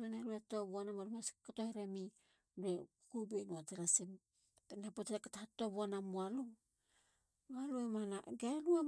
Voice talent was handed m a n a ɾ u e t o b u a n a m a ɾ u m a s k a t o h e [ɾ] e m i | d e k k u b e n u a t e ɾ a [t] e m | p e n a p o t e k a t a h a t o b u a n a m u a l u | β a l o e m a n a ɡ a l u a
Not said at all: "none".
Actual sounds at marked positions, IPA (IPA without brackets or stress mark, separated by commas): ɾ, s